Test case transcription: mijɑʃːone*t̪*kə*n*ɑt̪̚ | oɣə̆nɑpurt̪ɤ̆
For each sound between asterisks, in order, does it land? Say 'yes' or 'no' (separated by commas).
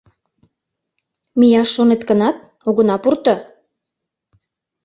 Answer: yes, yes